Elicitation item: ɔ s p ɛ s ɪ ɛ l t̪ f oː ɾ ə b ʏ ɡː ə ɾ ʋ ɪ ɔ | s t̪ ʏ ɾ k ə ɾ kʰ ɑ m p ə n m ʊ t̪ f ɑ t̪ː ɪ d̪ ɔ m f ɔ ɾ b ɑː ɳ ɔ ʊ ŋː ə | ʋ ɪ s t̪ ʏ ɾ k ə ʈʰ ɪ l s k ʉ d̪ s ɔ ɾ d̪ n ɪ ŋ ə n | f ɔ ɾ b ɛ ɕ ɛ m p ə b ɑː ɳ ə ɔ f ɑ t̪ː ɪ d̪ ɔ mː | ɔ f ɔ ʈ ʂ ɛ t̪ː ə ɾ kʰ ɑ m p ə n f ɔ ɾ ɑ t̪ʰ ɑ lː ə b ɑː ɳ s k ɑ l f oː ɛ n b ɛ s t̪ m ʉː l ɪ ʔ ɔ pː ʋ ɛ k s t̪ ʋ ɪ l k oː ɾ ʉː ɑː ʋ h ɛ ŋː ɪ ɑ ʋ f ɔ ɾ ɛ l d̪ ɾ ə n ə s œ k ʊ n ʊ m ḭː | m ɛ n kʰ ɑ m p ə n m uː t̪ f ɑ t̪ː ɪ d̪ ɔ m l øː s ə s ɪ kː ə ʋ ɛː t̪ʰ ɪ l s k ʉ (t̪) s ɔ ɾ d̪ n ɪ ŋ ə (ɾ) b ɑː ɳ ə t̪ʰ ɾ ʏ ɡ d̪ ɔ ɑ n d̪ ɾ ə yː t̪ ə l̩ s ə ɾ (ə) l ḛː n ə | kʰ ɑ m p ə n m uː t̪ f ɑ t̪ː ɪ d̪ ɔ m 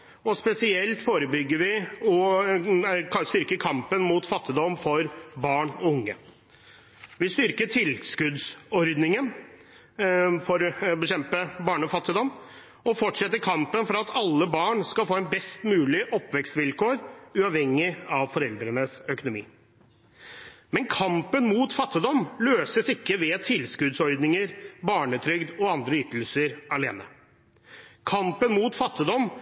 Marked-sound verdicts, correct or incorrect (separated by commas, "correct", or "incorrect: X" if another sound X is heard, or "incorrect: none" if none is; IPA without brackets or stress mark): incorrect: d̪, correct, incorrect: ɑ